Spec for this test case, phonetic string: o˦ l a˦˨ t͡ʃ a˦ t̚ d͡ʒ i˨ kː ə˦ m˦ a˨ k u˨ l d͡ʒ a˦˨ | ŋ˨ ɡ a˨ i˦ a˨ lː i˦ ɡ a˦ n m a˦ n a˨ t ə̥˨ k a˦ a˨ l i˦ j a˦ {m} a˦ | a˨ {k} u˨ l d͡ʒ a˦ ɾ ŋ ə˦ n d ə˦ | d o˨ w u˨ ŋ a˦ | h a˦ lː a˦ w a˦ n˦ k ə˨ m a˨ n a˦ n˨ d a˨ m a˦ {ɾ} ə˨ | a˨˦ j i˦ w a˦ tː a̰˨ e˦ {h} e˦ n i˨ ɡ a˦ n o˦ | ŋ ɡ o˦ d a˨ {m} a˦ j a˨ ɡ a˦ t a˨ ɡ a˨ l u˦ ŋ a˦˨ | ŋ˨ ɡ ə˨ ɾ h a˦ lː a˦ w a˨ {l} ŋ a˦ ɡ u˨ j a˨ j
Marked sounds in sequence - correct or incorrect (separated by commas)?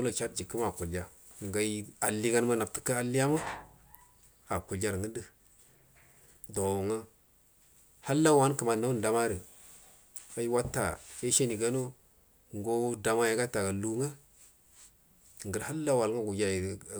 correct, correct, correct, incorrect, correct, correct